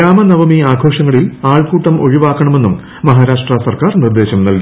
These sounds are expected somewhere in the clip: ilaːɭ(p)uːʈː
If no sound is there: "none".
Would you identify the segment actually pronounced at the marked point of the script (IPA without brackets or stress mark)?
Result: k